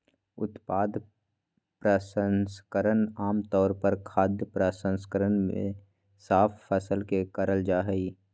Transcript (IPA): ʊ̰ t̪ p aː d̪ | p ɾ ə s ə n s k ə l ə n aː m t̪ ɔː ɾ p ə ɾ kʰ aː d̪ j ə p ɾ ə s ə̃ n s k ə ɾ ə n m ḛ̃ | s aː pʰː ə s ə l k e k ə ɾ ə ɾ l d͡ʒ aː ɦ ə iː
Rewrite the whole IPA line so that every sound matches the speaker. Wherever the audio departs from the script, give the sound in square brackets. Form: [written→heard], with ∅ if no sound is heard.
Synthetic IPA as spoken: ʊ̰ t̪ p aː d̪ | p ɾ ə s ə n s k ə [l→ɾ] ə n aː m t̪ ɔː ɾ p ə ɾ kʰ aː d̪ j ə p ɾ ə s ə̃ n s k ə ɾ ə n m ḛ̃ | s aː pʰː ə s ə l k e k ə ɾ ə [ɾ→∅] l d͡ʒ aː ɦ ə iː